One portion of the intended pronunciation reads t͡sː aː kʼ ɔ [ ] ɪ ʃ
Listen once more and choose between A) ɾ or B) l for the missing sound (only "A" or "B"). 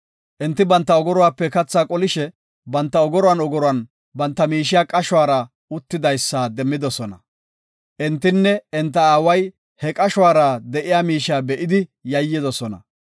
B